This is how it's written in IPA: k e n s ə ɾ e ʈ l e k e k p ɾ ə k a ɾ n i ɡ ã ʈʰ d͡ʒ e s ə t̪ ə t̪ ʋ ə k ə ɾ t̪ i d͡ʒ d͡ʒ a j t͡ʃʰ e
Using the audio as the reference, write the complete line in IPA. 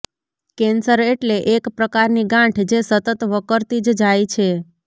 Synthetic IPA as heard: k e n s ə ɾ e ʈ l e ʔ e k p ɾ ə k a ɾ n i ɡ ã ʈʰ d͡ʒ e s ə t̪ ə t̪ ʋ ə k ə ɾ t̪ i d͡ʒ d͡ʒ a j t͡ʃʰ e